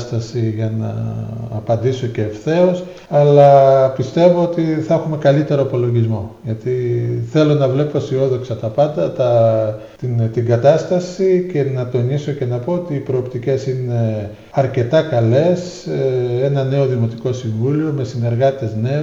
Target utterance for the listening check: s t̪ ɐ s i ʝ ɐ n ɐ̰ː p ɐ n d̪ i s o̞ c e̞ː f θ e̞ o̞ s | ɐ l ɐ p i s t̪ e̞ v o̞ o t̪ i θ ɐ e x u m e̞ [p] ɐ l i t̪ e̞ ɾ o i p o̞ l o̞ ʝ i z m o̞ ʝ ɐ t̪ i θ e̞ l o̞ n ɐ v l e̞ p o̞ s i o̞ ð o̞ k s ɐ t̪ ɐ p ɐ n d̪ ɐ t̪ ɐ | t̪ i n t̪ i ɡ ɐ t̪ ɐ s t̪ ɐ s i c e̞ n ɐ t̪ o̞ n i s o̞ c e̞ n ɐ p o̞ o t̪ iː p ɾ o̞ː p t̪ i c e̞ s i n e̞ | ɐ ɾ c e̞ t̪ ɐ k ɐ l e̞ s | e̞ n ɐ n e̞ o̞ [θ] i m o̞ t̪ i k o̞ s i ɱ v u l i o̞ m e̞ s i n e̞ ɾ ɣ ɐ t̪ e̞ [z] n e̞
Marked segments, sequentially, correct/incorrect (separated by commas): incorrect, incorrect, correct